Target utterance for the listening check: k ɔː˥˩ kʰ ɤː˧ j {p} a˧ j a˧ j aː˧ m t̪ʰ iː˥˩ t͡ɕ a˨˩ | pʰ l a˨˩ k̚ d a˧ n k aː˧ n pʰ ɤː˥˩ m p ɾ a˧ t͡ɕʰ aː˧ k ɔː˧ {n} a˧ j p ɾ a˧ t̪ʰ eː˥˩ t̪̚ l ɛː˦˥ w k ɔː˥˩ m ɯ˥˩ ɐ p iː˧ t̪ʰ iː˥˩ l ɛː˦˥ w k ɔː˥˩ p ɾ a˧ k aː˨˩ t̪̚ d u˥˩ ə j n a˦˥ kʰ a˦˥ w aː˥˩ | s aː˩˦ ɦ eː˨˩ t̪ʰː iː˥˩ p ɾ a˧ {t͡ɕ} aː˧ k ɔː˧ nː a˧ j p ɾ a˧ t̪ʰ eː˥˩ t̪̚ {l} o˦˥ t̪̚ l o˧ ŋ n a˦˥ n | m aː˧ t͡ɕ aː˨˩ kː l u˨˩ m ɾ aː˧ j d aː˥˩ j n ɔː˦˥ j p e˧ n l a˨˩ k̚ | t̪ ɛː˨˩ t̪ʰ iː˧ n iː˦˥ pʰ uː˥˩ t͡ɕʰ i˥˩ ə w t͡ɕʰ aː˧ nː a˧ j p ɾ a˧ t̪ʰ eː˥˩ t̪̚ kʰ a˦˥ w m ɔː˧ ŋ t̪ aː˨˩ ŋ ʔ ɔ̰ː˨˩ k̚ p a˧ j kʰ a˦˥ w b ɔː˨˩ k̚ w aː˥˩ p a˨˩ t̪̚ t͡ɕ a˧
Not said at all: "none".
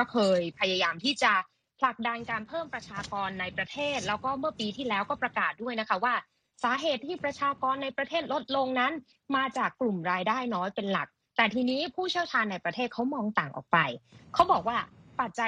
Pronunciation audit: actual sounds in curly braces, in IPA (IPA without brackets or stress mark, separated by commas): pʰ, nː, t͡ɕʰ, l